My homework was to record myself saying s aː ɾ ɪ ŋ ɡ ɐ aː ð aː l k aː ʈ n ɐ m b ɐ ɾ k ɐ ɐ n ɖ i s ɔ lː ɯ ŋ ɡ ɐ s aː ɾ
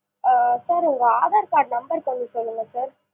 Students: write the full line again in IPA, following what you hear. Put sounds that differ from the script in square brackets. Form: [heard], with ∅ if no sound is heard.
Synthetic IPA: s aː ɾ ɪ ŋ ɡ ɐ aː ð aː [ɾ] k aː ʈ n ɐ m b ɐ ɾ k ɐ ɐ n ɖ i s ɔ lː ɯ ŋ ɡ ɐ s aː ɾ